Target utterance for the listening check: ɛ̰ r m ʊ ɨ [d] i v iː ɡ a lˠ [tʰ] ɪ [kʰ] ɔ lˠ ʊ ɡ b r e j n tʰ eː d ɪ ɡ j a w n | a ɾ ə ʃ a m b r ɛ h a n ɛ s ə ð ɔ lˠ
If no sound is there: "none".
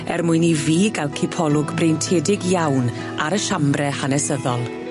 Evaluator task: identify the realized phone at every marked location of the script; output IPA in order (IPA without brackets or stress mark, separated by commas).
n, kʰ, pʰ